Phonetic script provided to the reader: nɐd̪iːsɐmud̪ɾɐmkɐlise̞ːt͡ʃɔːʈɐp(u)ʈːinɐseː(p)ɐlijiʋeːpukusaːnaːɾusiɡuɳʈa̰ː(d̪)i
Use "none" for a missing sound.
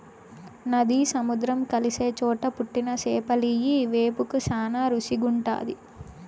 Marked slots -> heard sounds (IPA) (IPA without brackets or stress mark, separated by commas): u, p, d̪